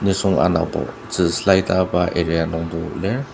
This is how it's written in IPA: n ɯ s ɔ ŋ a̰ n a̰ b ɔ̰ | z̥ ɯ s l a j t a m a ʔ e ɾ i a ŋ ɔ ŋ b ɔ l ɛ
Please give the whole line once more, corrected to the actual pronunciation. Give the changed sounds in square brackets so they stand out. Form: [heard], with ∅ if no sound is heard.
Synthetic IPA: n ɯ s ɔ ŋ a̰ n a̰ b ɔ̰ | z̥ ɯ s l a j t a [b] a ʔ e ɾ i a [n] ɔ ŋ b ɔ l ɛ